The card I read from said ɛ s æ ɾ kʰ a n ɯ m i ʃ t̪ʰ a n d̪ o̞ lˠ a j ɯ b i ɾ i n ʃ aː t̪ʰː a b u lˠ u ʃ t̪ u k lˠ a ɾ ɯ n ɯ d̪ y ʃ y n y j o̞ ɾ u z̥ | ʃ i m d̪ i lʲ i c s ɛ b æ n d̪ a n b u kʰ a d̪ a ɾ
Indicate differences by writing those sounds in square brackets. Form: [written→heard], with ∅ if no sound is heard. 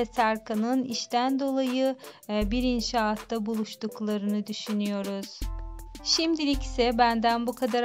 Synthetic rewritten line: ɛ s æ ɾ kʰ a n ɯ [m→n] i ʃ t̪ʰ [a→æ] n d̪ o̞ lˠ a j ɯ b i ɾ i n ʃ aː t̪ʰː a b u lˠ u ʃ t̪ u k lˠ a ɾ ɯ n ɯ d̪ y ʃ y n y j o̞ ɾ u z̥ | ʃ i m d̪ i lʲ i c s ɛ b æ n d̪ [a→æ] n b u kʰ a d̪ a ɾ